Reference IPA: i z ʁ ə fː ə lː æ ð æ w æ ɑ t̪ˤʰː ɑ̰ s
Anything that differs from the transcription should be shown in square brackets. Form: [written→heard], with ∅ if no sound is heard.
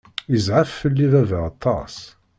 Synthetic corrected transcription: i z [ʁ→ʕ] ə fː ə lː [æ→i] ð æ [w→v] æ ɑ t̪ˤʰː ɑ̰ s